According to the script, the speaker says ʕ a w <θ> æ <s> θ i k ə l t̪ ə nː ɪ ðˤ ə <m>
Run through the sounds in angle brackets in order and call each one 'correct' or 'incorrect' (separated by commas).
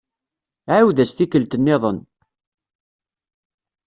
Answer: incorrect, correct, incorrect